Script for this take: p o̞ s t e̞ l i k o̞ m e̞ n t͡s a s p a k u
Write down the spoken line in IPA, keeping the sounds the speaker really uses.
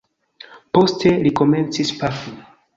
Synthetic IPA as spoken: p o̞ s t e̞ l i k o̞ m e̞ n t͡s i s p a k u